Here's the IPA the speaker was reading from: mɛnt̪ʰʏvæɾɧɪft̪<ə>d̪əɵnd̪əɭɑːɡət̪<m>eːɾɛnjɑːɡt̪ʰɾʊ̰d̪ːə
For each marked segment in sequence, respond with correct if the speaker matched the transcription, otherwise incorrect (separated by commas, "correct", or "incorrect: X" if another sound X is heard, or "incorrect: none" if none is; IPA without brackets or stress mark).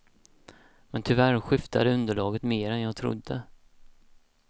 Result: incorrect: a, correct